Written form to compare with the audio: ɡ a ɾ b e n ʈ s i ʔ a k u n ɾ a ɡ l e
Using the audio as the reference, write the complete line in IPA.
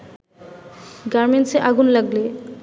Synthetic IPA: ɡ a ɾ m e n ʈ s e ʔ a ɡ u n l a ɡ l e